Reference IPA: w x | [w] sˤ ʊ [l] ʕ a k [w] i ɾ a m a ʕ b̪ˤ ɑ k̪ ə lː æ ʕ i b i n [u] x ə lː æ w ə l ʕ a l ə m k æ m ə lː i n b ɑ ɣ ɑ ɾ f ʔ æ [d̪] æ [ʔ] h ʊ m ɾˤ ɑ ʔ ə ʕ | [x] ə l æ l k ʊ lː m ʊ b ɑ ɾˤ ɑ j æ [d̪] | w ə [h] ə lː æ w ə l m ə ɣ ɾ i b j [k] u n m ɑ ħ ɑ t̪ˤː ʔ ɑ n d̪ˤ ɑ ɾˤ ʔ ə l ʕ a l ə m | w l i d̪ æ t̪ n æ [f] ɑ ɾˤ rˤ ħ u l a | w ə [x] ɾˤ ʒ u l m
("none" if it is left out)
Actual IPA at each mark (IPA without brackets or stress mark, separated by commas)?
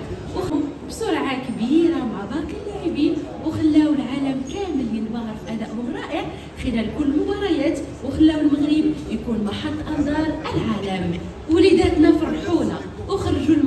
b, ɾ, b, w, d̪, ʔ, x, t̪, x, k, f, x